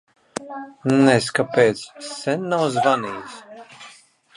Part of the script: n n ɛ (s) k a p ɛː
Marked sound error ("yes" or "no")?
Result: no